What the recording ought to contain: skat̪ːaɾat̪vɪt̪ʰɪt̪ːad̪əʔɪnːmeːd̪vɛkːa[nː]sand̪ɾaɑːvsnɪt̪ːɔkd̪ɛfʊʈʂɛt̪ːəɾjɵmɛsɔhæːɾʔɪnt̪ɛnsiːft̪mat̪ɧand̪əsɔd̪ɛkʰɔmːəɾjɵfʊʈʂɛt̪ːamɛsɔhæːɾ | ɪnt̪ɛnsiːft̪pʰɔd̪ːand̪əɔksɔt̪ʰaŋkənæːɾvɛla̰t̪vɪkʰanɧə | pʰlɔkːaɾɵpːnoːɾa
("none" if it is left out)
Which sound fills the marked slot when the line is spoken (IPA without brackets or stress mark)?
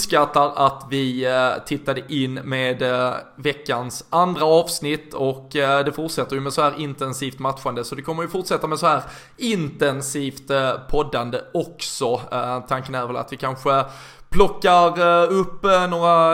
n